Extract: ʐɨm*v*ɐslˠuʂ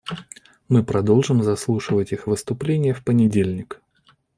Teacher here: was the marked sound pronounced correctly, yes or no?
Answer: no